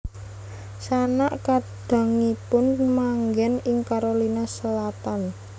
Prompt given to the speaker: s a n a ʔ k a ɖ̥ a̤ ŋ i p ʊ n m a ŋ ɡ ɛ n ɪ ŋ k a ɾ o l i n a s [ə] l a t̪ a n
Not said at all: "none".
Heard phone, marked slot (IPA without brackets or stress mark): ə